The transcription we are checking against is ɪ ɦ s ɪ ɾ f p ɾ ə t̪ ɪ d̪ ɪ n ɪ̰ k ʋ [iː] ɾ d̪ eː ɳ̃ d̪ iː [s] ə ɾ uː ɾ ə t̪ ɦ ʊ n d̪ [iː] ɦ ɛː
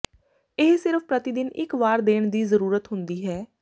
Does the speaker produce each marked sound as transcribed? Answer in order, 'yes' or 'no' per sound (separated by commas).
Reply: no, no, yes